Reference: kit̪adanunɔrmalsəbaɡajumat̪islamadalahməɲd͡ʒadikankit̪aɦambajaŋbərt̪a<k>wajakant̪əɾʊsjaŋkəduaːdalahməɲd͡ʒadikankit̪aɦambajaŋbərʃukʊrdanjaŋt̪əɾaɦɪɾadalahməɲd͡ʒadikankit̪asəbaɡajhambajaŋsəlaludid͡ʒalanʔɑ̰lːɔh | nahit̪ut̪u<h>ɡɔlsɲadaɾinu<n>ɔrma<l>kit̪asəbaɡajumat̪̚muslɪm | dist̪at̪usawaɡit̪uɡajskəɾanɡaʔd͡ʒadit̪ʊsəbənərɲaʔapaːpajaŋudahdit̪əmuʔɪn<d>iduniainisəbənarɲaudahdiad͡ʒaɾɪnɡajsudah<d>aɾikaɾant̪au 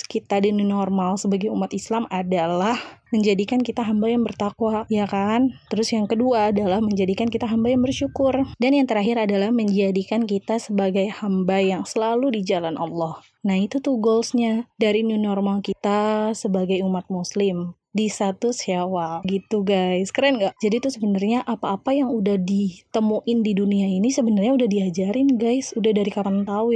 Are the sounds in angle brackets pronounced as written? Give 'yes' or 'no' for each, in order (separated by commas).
yes, yes, yes, yes, yes, yes